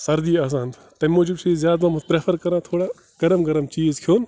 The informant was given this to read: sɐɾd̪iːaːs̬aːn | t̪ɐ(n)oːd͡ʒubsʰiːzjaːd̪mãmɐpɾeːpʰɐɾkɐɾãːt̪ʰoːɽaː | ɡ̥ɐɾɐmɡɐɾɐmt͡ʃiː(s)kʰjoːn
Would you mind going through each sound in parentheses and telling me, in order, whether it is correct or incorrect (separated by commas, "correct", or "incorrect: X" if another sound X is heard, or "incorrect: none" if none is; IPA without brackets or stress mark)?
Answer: incorrect: m, incorrect: z